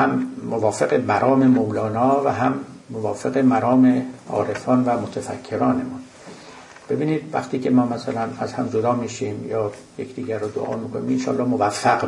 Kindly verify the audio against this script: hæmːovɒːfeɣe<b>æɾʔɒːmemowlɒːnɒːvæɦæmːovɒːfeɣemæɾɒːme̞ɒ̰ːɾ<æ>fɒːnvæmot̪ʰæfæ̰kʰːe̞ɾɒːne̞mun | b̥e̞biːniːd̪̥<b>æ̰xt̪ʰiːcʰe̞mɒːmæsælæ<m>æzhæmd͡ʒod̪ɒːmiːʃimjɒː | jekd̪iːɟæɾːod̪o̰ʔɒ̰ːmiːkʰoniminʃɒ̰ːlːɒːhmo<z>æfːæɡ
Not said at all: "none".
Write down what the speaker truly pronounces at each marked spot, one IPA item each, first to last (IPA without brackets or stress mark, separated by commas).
m, e, v, n, v